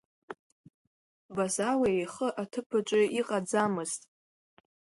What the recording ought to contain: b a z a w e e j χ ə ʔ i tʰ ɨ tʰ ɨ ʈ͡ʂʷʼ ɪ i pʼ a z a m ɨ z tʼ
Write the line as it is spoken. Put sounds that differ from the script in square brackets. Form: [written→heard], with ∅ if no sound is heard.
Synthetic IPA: b a z a w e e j χ ə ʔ [i→a] tʰ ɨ [tʰ→pʰ] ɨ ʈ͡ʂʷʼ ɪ i [pʼ→qʼ] a [z→d͡z] a m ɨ z tʼ

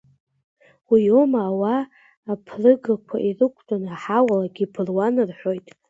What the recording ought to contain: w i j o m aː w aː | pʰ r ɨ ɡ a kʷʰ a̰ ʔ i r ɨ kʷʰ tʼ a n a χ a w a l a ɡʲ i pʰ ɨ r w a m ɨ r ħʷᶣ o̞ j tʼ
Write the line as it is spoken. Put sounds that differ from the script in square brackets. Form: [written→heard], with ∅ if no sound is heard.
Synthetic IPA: w i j o m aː w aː | pʰ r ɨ ɡ a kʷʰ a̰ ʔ i r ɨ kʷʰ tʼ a n a [χ→ħ] a w a l a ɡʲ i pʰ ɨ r w a [m→n] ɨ r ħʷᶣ o̞ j tʼ

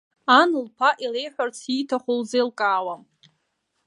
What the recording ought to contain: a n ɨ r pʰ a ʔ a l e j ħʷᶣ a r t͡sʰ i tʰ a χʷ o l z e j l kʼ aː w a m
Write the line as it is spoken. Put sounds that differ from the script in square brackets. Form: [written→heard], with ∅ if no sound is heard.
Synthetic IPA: a n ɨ [r→l] pʰ a ʔ [a→i] l e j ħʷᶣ a r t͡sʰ i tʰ a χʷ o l z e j l kʼ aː w a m

